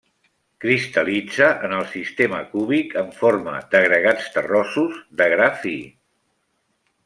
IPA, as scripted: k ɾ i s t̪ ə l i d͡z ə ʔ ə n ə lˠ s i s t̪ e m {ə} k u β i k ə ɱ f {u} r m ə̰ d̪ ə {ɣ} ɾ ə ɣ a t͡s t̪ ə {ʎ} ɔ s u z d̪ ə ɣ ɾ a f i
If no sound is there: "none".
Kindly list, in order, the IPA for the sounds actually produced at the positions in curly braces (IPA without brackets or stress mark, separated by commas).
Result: ə, o, ɣ, r